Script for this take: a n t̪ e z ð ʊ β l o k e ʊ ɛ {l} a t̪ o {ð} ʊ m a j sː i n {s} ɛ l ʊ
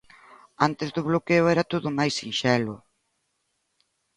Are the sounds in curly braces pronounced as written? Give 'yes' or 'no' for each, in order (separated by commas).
no, yes, no